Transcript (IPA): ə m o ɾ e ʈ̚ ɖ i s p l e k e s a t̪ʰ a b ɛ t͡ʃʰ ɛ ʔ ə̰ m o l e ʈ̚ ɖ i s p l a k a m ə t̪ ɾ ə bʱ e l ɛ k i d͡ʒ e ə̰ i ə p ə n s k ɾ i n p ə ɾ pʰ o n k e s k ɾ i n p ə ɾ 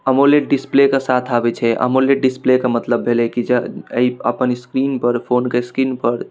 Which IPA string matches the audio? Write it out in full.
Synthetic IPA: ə m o l e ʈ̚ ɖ i s p l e k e s a t̪ʰ a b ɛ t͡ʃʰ ɛ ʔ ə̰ m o l e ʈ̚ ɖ i s p l e k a m ə t̪ l ə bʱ e l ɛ k i d͡ʒ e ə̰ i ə p ə n s k ɾ i n p ə ɾ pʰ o n k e s k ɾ i n p ə ɾ